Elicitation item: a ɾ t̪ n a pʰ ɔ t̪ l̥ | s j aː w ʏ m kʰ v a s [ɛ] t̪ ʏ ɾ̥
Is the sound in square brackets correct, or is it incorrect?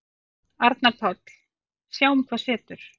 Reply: incorrect